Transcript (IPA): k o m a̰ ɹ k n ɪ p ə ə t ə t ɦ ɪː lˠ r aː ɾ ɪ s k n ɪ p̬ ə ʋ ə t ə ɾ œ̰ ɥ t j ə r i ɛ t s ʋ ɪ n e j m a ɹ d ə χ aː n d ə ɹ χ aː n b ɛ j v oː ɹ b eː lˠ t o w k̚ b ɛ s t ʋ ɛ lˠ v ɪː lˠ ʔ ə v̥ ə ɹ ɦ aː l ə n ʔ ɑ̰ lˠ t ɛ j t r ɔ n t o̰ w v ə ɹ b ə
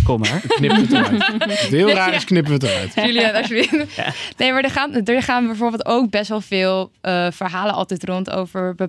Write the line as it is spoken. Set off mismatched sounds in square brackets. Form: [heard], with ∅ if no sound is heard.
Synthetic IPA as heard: k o m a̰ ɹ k n ɪ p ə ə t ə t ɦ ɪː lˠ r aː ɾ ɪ s k n ɪ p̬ ə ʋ ə t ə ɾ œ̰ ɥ t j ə [l] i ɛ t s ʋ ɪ n e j m a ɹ d ə χ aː n d ə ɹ χ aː n b ɛ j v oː ɹ b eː lˠ t o w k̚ b ɛ s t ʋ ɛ lˠ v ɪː lˠ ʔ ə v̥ ə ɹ ɦ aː l ə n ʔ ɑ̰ lˠ t ɛ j t r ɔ n t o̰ w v ə ɹ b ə